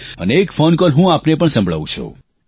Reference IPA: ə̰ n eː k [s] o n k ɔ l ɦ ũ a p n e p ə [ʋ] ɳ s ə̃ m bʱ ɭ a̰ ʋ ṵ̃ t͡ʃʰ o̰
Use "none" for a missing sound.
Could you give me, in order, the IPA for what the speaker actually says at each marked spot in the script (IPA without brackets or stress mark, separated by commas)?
f, none